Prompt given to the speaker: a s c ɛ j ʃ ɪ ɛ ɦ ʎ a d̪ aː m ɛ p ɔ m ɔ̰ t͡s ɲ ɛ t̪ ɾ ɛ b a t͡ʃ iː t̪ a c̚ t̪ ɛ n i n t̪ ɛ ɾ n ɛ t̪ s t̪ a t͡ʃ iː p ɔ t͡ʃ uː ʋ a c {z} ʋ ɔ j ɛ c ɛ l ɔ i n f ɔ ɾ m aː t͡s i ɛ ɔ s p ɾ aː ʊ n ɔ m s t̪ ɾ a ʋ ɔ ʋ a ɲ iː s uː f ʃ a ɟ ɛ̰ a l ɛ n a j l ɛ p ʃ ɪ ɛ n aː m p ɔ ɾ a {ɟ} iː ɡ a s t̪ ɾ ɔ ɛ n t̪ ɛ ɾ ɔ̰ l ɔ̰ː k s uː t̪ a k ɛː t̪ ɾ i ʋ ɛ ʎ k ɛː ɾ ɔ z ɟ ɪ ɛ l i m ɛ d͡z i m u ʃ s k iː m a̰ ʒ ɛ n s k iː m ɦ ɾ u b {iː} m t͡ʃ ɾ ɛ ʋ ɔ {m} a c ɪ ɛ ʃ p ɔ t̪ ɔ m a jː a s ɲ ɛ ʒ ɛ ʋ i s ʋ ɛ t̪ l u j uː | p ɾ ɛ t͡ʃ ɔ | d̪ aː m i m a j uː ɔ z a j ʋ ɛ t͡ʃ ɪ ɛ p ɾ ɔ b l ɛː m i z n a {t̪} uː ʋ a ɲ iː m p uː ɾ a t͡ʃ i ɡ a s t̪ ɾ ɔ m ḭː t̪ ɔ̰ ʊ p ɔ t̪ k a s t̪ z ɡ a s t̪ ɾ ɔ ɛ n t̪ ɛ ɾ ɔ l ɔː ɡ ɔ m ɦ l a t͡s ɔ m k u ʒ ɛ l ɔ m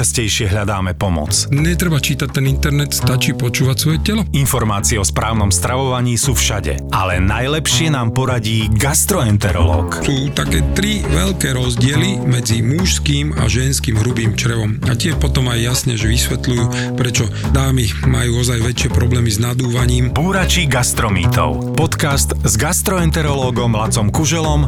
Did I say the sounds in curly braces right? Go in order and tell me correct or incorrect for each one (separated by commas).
incorrect, correct, correct, correct, incorrect